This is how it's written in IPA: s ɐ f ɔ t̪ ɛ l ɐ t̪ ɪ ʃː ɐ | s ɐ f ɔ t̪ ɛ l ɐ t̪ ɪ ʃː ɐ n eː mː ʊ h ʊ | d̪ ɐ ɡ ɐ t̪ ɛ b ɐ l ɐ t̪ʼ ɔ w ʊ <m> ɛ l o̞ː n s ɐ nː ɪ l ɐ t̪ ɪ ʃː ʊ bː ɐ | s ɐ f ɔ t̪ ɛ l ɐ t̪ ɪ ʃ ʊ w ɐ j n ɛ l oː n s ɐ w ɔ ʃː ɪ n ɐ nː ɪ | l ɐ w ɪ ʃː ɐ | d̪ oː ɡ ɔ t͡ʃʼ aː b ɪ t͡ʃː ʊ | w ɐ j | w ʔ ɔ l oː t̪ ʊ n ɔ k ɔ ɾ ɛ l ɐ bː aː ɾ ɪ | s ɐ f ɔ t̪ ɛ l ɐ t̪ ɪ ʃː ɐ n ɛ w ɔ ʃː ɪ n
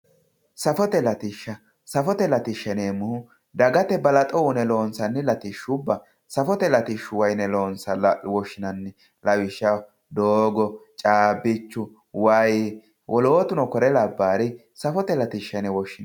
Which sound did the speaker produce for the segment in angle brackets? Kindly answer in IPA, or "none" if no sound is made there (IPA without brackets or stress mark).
n